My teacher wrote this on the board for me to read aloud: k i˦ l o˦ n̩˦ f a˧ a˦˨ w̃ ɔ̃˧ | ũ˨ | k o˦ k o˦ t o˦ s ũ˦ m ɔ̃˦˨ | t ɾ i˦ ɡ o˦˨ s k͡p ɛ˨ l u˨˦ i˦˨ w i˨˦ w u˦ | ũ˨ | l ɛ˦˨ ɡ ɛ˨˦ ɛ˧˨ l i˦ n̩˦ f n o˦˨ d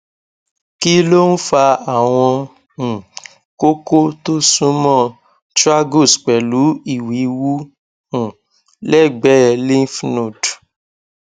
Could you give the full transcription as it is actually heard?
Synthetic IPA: k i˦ l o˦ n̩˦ f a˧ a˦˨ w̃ ɔ̃˧ | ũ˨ | k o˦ k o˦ t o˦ s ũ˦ m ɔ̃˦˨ | t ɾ a˦ ɡ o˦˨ s k͡p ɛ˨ l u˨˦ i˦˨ w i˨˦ w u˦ | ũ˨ | l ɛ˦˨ ɡ͡b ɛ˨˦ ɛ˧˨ l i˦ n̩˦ f n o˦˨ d